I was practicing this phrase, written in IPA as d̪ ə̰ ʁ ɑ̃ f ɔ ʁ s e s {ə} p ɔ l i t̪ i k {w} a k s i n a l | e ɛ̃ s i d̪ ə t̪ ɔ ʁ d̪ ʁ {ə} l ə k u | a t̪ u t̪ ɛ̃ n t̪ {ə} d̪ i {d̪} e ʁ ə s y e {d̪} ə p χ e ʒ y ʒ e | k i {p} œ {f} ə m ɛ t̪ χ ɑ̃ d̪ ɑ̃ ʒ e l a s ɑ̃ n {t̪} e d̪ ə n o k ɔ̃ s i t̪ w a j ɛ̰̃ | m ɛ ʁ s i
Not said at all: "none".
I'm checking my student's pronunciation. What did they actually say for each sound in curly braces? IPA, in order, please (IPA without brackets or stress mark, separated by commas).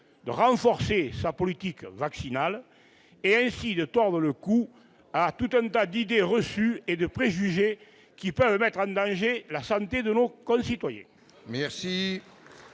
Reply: a, v, ə, a, d̪, d̪, p, v, t̪